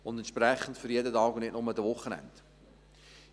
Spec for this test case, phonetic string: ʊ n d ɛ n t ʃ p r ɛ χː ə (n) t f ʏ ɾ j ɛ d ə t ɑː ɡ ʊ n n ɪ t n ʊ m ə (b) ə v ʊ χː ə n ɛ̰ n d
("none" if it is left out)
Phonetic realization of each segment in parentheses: n, d

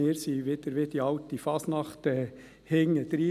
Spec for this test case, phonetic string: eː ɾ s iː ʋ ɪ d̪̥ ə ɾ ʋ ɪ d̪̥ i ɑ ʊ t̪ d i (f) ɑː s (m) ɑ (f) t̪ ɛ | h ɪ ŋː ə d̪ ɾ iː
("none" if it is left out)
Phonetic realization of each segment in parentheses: f, n, χ

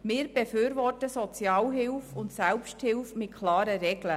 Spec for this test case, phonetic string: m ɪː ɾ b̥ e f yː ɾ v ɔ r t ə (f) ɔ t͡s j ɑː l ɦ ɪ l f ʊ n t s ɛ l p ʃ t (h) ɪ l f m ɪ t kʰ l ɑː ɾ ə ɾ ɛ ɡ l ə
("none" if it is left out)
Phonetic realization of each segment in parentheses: s, h

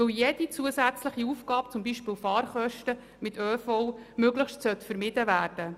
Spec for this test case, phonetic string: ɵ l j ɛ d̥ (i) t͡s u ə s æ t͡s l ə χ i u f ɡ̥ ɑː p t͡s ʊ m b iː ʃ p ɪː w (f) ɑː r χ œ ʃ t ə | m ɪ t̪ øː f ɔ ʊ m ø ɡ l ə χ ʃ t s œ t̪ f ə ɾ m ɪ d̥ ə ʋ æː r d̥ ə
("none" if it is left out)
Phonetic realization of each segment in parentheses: i, f

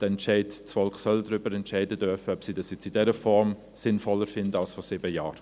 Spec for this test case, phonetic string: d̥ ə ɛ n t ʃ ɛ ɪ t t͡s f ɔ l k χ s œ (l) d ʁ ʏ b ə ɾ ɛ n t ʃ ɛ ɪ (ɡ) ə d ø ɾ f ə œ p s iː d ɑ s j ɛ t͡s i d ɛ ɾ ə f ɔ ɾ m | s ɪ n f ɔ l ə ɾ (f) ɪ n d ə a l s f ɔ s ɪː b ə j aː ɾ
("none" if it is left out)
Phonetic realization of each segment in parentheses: l, d, f

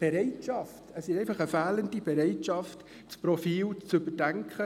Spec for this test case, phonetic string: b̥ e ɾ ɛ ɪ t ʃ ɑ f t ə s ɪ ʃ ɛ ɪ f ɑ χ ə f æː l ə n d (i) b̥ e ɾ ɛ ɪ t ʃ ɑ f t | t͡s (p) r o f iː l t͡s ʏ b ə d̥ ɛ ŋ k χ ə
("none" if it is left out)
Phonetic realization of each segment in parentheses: i, p

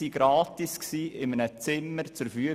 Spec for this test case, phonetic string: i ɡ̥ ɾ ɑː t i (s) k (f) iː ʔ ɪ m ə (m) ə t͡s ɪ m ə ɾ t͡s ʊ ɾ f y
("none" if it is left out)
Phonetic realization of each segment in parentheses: s, s, n

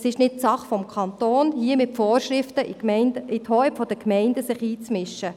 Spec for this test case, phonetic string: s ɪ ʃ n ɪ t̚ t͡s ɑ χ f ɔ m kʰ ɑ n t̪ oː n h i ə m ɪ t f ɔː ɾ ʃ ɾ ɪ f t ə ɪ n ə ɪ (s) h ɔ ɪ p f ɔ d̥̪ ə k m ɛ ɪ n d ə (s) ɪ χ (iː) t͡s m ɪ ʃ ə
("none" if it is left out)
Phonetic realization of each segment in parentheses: t, s, iː

